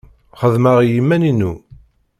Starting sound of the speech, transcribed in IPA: χ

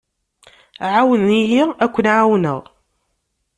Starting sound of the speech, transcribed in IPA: ʕ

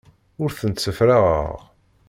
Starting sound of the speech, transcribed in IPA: ʊ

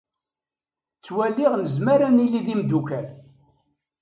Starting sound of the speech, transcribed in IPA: t͡sː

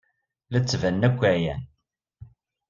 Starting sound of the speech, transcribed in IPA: l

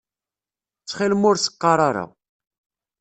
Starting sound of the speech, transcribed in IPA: t͡sː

